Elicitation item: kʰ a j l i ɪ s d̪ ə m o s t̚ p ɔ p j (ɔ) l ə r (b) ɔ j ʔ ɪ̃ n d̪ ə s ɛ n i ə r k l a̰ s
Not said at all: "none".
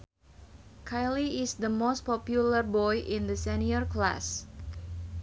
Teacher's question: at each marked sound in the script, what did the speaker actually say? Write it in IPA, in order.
u, b

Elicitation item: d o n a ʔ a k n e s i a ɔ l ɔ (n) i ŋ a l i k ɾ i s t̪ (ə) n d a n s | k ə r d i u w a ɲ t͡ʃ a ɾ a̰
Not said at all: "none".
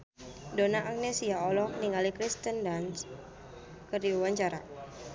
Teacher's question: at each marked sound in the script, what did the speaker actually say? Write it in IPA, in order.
n, ə

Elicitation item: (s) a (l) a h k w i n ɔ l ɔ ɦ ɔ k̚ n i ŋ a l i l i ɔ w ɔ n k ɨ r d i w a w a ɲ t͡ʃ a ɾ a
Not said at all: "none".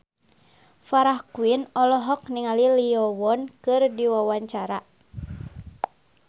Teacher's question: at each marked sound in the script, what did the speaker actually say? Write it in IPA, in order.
f, ɾ

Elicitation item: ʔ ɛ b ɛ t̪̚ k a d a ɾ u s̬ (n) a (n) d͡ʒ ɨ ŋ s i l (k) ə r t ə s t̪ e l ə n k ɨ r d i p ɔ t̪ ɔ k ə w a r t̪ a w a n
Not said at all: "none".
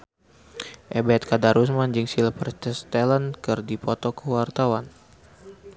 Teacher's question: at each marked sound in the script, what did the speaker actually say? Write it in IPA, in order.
m, n, p

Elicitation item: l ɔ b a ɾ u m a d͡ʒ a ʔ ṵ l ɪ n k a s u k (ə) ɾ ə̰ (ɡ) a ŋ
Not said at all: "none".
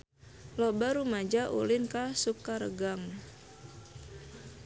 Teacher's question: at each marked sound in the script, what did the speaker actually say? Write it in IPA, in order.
a, ɡ

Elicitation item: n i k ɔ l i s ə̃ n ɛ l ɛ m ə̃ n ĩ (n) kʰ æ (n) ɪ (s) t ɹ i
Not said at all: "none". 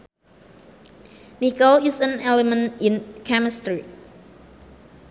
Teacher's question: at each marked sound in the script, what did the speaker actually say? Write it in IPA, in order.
n, m, s

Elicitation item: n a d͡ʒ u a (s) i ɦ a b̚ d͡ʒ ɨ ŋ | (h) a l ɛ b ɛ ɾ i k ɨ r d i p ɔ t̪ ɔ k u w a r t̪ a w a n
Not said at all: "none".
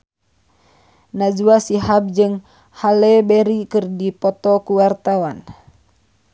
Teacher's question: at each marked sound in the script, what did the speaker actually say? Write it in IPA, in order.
s, h

